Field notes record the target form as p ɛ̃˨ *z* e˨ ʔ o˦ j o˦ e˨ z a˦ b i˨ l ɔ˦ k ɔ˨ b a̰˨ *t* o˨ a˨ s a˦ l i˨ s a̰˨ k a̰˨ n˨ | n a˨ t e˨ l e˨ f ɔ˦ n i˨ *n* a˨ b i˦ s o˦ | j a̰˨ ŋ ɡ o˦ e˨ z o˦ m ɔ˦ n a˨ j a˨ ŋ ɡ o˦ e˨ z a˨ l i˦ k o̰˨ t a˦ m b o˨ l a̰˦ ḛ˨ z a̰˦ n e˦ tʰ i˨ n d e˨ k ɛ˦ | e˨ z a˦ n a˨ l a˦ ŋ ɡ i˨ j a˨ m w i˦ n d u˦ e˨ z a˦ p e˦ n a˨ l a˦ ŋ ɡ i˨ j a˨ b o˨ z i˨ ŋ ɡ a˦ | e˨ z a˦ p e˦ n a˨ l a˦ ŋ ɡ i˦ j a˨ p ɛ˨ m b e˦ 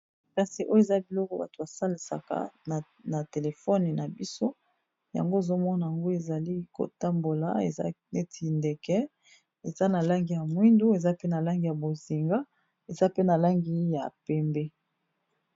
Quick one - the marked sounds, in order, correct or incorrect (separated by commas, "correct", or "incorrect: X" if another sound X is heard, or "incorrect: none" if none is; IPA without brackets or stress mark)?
incorrect: s, correct, correct